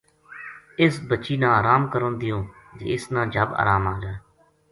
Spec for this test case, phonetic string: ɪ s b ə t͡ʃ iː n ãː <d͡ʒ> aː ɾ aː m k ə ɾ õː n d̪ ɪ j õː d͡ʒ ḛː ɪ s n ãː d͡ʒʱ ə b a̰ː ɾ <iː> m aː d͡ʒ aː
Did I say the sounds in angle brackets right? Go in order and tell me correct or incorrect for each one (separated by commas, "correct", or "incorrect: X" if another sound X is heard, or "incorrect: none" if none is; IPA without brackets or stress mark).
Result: incorrect: none, incorrect: aː